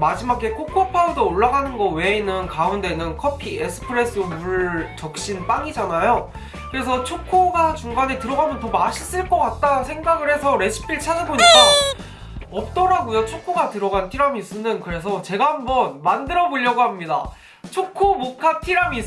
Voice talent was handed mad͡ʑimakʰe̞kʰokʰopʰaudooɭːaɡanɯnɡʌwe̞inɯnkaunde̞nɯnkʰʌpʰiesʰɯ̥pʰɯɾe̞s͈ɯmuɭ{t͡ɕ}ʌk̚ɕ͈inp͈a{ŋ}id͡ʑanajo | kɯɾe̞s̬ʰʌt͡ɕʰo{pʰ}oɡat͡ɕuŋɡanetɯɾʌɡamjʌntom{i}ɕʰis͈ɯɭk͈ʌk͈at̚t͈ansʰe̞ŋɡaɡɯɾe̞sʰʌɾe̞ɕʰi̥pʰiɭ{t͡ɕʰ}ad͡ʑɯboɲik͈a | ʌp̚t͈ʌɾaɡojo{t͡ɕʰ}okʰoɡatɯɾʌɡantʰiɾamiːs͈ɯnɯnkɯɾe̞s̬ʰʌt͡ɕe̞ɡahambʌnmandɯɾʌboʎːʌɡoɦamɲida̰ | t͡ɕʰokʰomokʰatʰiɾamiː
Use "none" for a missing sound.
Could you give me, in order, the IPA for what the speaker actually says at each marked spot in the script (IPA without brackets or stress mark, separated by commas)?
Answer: t͡ɕ, ŋ, kʰ, a, t͡ɕʰ, t͡ɕʰ